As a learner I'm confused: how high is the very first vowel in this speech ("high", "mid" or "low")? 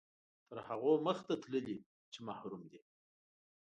mid